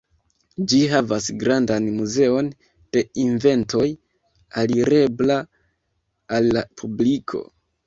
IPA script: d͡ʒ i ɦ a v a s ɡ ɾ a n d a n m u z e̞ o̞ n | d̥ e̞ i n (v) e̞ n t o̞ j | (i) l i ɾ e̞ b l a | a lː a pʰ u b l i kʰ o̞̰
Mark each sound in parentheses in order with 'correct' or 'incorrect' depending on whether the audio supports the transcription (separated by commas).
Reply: correct, incorrect